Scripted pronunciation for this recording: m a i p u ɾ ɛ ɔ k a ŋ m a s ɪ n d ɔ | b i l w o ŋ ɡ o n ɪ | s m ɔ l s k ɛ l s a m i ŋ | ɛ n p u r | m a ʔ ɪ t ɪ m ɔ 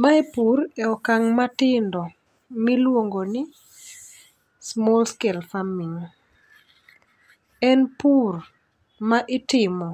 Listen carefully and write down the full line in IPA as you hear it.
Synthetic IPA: m a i p u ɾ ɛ ɔ k a ŋ m a t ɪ n d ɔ | m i l w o ŋ ɡ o n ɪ | s m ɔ l s k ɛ l f a m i ŋ | ɛ n p u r | m a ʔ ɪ t ɪ m ɔ